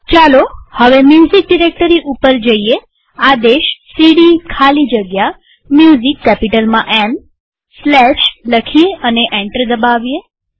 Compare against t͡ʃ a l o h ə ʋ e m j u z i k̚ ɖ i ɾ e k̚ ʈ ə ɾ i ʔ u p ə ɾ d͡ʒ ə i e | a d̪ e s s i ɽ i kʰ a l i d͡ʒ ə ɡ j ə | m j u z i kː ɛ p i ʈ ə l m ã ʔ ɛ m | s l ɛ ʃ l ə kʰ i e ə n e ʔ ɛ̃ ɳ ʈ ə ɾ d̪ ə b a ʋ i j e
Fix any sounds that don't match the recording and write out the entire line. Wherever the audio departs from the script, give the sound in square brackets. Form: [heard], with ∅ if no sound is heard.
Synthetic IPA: t͡ʃ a l o h ə ʋ e m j u z i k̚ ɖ i ɾ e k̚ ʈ ə ɾ i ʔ u p ə ɾ d͡ʒ ə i e | a d̪ e [ʃ] s i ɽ i kʰ a l i d͡ʒ ə ɡ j [a] | m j u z i kː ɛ p i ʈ ə l m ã ʔ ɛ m | s l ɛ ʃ l ə kʰ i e ə n e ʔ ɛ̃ ɳ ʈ ə ɾ d̪ ə b a ʋ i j e